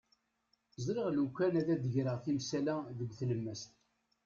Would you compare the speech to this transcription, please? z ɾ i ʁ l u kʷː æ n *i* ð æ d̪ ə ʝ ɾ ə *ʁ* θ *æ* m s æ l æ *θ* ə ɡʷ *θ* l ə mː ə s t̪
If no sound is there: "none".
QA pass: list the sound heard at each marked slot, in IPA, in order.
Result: æ, ʁ, i, ð, θ

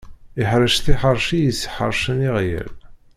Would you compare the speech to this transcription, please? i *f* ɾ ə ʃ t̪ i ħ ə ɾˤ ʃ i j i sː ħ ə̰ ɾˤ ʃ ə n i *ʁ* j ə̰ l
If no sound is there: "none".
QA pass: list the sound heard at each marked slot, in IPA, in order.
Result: ħ, ʁ

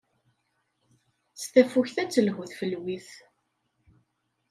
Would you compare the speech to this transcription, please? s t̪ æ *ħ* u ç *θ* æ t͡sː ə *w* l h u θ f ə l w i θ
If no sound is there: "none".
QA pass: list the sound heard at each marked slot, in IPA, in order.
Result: f, θ, none

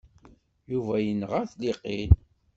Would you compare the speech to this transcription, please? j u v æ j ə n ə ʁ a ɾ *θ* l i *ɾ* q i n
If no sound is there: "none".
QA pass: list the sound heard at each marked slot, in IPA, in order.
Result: θ, none

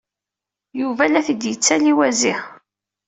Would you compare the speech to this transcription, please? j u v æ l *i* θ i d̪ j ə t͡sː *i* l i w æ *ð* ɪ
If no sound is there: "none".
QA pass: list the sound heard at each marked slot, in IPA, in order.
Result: æ, æ, z

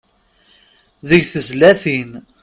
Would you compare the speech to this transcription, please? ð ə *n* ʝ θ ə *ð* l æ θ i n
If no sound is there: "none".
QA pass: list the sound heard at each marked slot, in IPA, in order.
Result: none, z

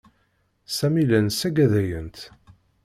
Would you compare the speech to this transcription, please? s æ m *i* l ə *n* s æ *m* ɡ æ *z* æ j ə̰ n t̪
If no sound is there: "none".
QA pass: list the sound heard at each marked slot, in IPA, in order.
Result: i, n, none, ð

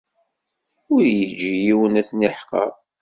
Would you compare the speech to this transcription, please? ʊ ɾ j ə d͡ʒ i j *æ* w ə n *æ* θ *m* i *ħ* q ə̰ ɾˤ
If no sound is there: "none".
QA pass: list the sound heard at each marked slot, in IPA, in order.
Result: i, æ, n, ħ

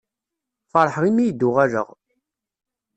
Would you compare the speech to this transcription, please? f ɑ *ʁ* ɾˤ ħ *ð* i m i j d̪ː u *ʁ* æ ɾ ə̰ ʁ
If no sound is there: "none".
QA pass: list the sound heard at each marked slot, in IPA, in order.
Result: none, ʁ, ʁ

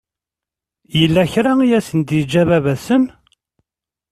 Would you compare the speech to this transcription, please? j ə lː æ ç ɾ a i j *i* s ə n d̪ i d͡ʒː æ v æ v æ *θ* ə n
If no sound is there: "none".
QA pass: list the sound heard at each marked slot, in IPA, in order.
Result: æ, s

